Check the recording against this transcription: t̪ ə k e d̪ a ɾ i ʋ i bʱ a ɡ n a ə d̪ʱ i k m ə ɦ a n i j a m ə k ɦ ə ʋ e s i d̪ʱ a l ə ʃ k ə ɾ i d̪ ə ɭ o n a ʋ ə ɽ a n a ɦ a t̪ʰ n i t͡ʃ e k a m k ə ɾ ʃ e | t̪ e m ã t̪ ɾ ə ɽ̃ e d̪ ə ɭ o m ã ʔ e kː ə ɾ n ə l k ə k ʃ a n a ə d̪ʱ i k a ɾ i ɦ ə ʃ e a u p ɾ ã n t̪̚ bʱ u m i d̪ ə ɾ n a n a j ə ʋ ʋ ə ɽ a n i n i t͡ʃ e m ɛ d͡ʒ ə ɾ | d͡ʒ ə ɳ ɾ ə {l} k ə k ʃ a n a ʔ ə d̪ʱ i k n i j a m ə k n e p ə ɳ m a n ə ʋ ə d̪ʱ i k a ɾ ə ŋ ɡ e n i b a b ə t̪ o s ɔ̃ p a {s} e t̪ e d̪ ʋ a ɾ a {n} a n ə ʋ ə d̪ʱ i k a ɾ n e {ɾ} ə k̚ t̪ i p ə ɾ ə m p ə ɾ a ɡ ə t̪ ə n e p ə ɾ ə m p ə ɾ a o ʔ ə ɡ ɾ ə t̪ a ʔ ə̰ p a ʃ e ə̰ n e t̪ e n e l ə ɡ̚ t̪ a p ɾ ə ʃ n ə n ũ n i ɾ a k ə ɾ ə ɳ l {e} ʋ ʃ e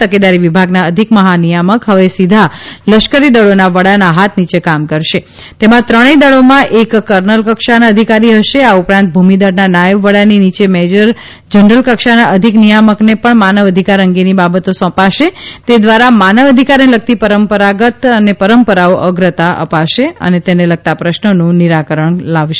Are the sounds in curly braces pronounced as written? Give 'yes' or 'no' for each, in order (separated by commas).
yes, no, no, no, no